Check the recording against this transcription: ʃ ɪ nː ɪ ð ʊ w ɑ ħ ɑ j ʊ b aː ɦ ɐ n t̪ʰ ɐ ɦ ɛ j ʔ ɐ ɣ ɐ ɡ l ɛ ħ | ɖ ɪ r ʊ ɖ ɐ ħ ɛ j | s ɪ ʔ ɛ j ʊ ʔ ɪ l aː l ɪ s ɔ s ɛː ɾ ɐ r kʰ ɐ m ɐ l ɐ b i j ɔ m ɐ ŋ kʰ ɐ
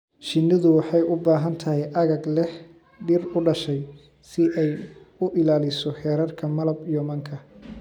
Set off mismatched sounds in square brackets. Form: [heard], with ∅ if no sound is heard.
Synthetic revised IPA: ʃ ɪ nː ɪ ð ʊ w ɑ ħ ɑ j ʊ b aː ɦ ɐ n t̪ʰ ɐ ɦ ɛ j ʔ ɐ ɣ ɐ ɡ l ɛ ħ | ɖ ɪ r ʊ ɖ ɐ [ʃ] ɛ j | s ɪ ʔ ɛ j ʊ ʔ ɪ l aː l ɪ s ɔ [ħ] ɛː ɾ ɐ r kʰ ɐ m ɐ l ɐ b i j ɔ m ɐ ŋ kʰ ɐ